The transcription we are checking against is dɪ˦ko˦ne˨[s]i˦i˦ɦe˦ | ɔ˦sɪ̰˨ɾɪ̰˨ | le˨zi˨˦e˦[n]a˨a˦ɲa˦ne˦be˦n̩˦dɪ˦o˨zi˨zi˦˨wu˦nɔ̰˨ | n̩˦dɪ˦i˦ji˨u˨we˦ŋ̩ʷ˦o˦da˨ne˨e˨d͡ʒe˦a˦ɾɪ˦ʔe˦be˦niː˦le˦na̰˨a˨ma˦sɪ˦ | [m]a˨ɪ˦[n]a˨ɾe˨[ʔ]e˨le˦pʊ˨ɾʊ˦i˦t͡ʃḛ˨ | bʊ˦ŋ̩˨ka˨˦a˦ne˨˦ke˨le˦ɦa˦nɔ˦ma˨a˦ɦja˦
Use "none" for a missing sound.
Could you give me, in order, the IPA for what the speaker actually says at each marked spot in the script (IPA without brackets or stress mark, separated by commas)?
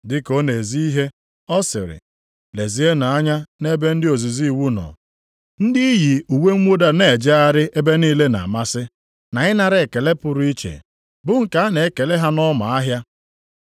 z, n, n, n, k